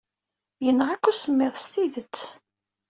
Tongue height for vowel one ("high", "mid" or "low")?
mid